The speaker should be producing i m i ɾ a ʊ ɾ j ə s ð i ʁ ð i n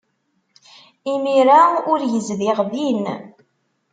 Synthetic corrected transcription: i m i ɾ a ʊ ɾ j ə z ð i ʁ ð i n